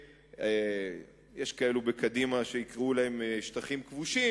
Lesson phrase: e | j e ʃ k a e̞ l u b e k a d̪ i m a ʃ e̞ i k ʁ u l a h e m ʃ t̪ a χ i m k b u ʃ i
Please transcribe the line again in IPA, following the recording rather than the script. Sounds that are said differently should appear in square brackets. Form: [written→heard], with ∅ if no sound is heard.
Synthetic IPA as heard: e | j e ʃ k a e̞ l u b e k a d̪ i m a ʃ e̞ i k ʁ u l a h e m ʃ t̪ a χ i m k [b→v] u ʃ i